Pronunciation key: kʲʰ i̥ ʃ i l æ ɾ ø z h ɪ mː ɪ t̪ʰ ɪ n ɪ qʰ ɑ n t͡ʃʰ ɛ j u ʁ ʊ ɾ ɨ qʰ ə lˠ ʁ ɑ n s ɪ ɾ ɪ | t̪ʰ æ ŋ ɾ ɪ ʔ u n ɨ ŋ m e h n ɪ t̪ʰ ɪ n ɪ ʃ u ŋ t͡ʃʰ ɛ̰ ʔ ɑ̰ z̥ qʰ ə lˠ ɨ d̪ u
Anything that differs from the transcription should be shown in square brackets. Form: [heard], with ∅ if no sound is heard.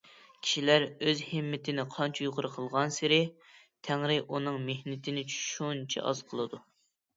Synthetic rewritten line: kʲʰ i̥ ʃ i l æ ɾ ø z h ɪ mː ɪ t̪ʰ ɪ n ɪ qʰ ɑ n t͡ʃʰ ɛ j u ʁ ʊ ɾ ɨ qʰ ə lˠ ʁ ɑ n s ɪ ɾ ɪ | t̪ʰ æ ŋ ɾ ɪ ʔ u n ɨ ŋ m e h n ɪ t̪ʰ ɪ n ɪ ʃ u [n] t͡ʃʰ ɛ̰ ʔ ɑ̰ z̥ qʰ ə lˠ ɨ d̪ u